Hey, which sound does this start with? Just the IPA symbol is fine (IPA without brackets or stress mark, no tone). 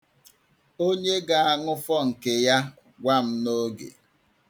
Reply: o